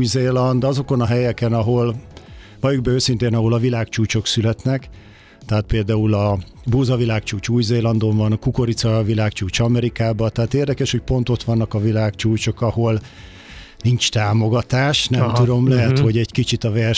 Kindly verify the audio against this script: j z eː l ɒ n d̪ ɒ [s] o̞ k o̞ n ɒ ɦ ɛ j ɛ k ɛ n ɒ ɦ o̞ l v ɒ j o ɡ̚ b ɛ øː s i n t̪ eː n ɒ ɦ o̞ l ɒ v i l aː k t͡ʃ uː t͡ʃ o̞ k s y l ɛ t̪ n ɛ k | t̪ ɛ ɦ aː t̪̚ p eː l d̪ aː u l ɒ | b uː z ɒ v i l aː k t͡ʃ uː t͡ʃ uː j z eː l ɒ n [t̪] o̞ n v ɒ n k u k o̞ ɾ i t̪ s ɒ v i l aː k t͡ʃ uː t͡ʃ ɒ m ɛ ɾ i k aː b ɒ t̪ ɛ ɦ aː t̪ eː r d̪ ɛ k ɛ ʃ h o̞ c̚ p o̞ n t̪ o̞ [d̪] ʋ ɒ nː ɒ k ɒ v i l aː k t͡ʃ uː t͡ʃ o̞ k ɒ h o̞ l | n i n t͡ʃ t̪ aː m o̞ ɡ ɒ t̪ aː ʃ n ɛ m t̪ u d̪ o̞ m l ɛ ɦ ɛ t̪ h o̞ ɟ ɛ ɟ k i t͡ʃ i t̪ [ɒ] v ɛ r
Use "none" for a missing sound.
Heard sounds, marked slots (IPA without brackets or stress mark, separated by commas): z, d̪, t̪, ɒ